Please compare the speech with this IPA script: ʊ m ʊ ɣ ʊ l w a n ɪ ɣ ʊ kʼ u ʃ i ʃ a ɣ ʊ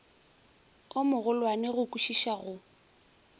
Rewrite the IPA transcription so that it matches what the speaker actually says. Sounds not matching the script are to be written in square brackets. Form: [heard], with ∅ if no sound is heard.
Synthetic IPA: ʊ m ʊ ɣ ʊ l w a n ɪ ɣ ʊ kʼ u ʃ i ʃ a ɣ ʊ